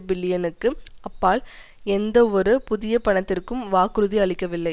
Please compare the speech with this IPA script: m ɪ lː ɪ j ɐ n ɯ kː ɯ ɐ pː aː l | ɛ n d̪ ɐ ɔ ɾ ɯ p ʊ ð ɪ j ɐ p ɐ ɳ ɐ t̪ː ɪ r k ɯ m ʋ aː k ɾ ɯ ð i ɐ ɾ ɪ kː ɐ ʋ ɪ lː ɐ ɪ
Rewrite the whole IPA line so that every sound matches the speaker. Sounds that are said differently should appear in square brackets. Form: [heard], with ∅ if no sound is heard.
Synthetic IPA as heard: [b] ɪ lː ɪ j ɐ n ɯ kː ɯ ɐ pː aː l | ɛ n d̪ ɐ ɔ ɾ ɯ p ʊ ð ɪ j ɐ p ɐ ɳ ɐ t̪ː ɪ r k ɯ m ʋ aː k ɾ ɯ ð i ɐ [ɭ] ɪ kː ɐ ʋ ɪ lː ɐ ɪ